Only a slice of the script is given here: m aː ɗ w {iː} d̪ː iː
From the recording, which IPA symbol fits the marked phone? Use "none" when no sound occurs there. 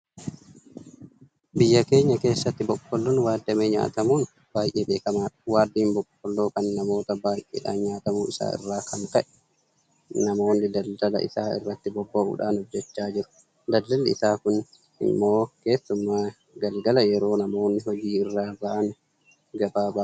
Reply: aː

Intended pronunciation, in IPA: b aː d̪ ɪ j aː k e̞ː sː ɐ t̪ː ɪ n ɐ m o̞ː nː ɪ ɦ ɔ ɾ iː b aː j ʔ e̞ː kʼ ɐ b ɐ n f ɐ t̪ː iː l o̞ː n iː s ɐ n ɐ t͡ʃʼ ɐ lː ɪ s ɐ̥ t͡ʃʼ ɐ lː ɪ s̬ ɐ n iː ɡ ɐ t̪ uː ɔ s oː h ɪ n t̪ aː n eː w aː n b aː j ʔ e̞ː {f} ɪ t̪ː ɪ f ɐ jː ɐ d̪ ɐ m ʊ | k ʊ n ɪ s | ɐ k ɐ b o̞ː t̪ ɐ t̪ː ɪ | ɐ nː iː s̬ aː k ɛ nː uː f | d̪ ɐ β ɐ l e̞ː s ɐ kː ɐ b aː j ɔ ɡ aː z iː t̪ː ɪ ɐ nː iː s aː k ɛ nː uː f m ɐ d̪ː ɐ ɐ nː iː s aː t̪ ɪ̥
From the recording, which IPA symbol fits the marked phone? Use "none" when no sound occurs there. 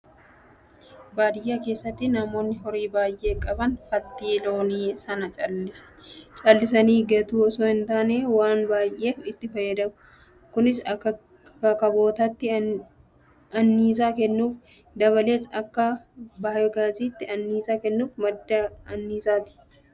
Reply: f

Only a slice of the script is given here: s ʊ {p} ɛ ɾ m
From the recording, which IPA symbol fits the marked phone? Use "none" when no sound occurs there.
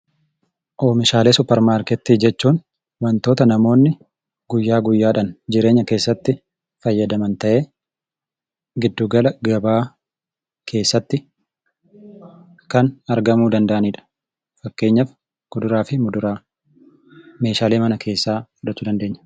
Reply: p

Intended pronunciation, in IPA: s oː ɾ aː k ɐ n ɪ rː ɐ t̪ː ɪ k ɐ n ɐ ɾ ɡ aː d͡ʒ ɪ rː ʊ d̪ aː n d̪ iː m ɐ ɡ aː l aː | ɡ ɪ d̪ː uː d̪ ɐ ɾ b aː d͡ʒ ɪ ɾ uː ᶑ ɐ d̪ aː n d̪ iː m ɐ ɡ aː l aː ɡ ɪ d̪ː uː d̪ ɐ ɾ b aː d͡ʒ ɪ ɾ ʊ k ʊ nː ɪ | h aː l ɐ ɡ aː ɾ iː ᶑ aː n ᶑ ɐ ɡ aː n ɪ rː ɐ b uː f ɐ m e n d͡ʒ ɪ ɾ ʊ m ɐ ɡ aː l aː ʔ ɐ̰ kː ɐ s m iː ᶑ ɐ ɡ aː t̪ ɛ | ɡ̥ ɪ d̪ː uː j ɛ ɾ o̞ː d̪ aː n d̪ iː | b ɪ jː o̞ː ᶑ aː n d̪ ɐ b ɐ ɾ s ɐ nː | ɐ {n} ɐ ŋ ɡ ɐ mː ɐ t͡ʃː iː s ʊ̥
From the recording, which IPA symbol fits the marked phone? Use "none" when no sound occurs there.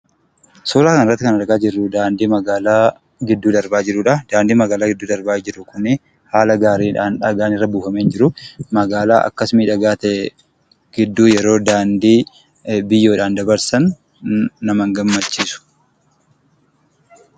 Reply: m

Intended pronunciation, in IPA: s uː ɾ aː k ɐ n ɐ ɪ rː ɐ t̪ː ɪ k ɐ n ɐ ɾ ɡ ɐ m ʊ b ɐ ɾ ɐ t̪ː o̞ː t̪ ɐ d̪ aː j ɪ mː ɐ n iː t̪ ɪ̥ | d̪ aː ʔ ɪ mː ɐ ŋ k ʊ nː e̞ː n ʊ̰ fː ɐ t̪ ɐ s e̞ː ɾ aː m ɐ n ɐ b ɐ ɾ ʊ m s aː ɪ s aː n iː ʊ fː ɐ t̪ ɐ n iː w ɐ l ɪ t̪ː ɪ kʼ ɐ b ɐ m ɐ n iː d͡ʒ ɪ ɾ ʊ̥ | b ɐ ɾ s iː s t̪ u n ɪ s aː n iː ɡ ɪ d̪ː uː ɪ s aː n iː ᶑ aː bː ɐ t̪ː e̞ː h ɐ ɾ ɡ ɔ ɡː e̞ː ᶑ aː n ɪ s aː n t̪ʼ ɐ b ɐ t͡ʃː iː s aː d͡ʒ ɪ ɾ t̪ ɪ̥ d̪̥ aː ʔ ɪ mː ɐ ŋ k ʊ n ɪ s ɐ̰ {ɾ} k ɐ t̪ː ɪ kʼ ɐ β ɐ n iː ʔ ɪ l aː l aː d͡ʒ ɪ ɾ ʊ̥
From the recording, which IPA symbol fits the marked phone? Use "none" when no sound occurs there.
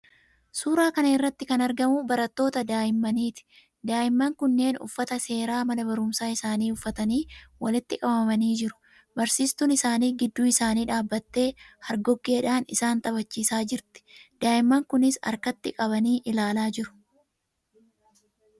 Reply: ɾ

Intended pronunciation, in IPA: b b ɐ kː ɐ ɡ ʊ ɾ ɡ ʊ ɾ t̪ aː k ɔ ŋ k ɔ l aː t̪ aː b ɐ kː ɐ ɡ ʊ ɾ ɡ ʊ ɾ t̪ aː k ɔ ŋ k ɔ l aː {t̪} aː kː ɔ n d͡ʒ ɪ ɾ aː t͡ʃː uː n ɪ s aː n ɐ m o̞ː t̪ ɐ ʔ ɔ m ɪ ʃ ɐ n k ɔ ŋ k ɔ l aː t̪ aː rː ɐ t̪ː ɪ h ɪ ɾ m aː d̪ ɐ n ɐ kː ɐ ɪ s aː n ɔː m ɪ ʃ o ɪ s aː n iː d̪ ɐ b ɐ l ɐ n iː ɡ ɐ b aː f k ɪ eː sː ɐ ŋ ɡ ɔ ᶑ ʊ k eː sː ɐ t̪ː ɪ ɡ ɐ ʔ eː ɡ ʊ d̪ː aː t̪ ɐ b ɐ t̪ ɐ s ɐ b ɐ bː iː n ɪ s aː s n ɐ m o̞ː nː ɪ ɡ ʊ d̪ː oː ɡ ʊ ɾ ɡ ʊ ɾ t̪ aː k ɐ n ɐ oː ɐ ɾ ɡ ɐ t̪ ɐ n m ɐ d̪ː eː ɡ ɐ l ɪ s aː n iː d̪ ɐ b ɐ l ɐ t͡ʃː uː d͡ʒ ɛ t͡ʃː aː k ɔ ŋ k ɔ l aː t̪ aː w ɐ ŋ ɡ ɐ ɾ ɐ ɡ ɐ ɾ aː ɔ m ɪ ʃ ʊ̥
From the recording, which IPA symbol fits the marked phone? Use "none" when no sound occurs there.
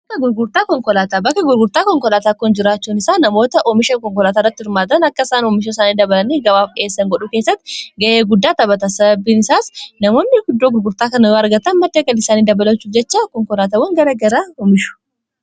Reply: t̪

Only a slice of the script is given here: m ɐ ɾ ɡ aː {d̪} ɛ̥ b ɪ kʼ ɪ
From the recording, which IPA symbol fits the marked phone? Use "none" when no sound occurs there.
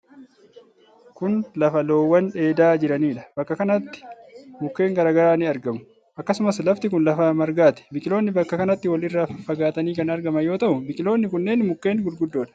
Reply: t̪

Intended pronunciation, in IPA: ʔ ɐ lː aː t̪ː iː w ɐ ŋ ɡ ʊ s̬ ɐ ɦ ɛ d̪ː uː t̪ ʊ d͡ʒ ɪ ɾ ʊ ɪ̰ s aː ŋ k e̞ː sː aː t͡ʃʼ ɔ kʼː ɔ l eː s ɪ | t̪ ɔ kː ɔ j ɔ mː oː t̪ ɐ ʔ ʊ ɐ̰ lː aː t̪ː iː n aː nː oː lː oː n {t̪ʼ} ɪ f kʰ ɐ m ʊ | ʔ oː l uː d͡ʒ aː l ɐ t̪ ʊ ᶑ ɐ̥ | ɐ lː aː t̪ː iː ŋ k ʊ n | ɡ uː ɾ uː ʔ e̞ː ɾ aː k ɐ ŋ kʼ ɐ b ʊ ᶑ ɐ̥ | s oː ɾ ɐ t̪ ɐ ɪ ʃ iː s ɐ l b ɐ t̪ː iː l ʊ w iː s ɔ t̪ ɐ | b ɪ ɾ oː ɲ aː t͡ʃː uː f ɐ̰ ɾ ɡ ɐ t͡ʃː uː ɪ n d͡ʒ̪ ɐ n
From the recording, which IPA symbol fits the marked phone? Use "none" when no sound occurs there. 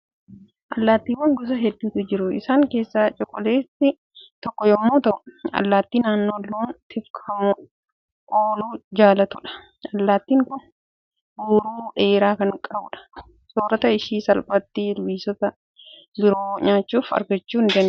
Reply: t̪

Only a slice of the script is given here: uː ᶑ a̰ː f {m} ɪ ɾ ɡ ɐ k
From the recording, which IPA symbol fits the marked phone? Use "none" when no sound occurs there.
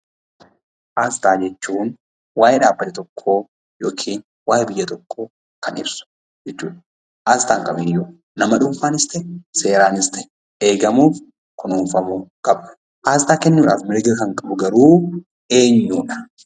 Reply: m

